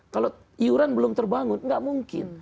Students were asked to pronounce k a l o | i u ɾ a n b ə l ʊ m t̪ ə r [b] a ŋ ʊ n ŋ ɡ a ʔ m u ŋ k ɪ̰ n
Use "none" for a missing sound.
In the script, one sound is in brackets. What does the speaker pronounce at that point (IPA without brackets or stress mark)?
b